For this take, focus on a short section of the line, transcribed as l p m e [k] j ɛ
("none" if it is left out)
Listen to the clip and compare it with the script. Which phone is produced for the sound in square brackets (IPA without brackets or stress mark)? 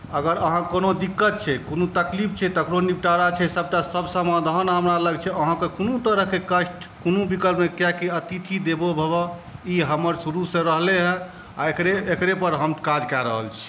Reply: k